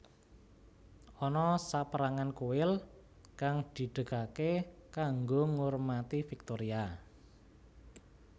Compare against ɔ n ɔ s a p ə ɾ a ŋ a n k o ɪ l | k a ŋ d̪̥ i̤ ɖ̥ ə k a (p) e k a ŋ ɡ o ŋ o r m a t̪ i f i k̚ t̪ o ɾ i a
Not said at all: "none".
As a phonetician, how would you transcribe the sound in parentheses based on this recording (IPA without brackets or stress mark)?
k